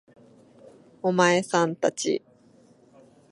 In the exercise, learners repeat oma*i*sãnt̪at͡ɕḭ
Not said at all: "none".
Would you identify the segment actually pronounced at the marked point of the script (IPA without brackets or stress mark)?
e